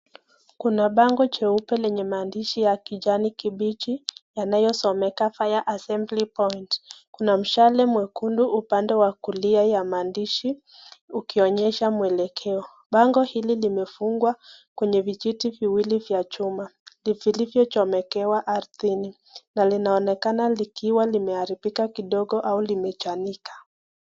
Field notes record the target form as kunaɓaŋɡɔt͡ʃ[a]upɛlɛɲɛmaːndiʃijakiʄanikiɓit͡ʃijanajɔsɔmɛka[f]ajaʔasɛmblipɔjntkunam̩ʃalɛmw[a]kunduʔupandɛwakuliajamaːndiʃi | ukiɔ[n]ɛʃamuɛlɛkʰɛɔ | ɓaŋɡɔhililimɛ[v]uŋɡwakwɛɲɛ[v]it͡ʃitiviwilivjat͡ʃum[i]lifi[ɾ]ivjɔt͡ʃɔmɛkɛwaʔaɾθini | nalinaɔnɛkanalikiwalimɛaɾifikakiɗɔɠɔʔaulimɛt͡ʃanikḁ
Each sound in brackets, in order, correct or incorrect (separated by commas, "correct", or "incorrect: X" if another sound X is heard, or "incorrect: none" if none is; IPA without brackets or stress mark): incorrect: ɛ, correct, incorrect: ɛ, incorrect: ɲ, incorrect: f, correct, incorrect: a, incorrect: l